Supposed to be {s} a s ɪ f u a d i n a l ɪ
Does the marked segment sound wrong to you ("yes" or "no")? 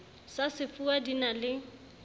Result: no